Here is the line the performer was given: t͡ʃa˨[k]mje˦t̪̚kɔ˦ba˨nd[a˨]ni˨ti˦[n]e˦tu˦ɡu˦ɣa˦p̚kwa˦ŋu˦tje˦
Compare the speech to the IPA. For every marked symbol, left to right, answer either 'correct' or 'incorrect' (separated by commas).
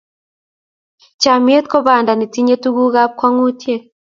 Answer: incorrect, correct, incorrect